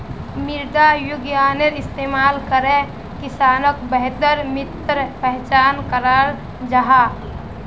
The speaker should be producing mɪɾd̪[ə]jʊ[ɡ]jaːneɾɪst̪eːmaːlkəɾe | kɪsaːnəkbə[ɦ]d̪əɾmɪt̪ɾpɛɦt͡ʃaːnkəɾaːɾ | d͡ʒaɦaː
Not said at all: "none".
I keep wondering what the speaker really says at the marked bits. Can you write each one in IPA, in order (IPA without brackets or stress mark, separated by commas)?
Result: a, ɡ, ɦ